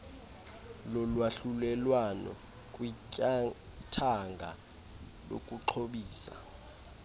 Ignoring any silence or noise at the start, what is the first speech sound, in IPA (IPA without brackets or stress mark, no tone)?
l